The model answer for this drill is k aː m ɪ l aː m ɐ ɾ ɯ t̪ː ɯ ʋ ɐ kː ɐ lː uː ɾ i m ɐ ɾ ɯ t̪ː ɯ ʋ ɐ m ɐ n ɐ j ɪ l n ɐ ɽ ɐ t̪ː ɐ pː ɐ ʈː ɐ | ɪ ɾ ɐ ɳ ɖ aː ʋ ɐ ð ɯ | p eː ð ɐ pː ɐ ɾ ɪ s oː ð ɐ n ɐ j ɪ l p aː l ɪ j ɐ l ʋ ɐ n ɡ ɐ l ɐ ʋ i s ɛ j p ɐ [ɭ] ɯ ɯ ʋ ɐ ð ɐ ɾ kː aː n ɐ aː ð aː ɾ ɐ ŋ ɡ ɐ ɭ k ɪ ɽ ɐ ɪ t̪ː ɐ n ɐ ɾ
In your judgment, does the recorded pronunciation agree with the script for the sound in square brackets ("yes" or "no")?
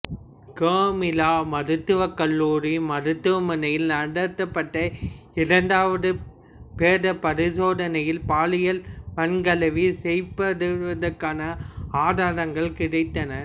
no